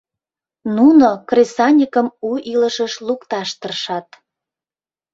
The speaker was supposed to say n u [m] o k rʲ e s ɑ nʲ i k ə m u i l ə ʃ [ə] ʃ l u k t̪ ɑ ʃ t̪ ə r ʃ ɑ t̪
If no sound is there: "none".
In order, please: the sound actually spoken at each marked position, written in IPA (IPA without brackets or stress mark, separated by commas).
n, ə